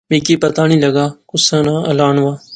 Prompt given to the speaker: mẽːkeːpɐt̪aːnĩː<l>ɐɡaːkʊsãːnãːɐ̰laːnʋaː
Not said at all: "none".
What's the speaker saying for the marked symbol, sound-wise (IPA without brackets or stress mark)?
l